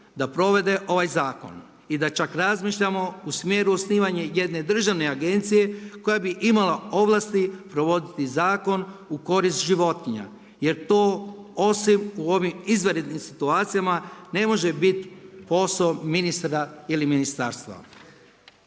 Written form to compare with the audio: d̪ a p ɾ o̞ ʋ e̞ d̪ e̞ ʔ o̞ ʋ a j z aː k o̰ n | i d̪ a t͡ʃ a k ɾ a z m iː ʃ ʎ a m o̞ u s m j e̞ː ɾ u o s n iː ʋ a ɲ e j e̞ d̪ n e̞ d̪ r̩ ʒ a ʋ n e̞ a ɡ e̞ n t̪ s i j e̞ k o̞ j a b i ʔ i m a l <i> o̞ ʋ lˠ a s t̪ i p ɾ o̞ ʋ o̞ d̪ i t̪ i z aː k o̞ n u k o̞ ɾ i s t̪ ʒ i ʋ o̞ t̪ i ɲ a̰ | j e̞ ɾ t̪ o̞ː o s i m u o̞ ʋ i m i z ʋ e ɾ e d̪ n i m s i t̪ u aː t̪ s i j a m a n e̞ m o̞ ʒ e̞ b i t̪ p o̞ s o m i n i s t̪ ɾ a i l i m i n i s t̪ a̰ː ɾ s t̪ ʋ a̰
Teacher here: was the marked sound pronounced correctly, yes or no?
no